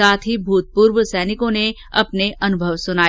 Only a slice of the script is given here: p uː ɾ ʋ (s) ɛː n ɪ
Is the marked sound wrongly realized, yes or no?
no